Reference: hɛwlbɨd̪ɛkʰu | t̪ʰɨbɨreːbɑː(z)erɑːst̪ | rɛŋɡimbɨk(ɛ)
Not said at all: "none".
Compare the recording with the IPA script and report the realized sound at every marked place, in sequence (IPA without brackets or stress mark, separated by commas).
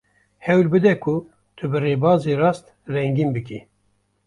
z, i